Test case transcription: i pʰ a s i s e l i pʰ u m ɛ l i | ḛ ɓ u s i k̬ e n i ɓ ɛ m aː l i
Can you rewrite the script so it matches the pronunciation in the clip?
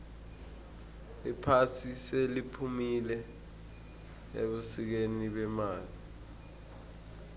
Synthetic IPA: i pʰ a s i s e l i pʰ u m i l ɛ | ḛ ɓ u s i k̬ e n i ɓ ɛ m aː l i